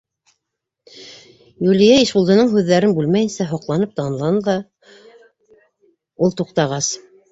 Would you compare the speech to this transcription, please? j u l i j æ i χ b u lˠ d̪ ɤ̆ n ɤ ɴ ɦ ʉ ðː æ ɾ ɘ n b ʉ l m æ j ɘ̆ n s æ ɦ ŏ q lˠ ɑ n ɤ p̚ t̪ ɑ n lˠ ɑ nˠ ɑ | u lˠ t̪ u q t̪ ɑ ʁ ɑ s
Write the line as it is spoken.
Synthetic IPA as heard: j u l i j æ i ʃ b u lˠ d̪ ɤ̆ n ɤ ɴ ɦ ʉ ðː æ ɾ ɘ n b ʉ l m æ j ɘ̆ n s æ ɦ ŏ q lˠ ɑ n ɤ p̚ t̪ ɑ n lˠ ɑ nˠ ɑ | u lˠ t̪ u q t̪ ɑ ʁ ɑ s